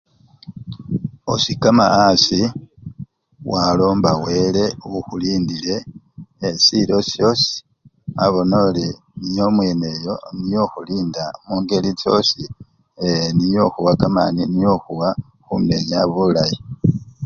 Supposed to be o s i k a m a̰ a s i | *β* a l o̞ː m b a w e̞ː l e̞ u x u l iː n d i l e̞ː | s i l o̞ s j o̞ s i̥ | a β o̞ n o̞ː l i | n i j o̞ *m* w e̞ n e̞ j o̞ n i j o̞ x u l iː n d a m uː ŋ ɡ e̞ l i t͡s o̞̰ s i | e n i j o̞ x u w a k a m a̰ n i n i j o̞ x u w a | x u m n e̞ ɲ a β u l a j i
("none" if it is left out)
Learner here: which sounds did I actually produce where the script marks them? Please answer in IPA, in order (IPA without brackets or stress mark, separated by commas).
w, m